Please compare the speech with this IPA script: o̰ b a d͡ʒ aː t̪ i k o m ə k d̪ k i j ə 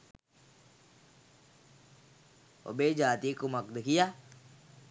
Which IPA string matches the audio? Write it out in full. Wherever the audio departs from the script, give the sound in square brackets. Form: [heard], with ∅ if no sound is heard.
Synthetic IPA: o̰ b [e] d͡ʒ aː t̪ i k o m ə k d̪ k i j [a]